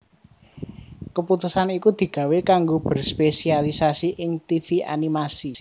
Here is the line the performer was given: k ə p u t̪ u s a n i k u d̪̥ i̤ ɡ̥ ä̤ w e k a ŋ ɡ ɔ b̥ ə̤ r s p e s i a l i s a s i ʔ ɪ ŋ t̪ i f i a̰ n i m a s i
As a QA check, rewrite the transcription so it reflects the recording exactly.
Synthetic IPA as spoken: k ə p u t̪ u s a n i k u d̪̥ i̤ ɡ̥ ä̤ w e k a ŋ ɡ o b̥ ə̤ r s p e s i a l i s a s i ʔ ɪ ŋ t̪ i f i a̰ n i m a s i